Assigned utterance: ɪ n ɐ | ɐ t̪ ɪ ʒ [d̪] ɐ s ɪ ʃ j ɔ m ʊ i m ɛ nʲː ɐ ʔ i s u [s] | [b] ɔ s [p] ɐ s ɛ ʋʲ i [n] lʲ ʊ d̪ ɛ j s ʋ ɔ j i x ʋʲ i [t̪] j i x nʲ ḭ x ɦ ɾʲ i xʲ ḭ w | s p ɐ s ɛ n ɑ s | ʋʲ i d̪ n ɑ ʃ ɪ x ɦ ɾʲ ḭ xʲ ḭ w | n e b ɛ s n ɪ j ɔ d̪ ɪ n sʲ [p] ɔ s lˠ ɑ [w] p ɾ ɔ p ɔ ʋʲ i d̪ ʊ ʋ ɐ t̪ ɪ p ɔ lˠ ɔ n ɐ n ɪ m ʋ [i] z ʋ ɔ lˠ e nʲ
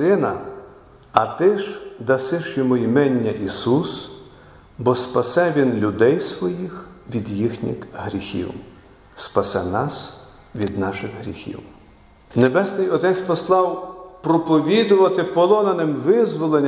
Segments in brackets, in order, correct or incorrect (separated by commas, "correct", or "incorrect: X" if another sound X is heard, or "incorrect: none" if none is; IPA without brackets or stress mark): correct, correct, correct, correct, correct, incorrect: d̪, correct, correct, incorrect: ɪ